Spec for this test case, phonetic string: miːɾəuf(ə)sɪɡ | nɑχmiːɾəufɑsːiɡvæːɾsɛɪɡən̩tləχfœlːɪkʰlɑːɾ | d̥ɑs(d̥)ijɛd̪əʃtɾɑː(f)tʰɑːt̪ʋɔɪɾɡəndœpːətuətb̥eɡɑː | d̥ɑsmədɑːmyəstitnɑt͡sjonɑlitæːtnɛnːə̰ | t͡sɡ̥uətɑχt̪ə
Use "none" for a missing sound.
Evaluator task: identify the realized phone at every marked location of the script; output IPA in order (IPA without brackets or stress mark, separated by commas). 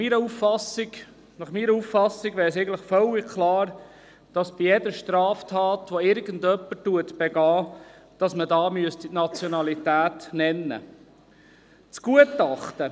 ɑ, b̥, f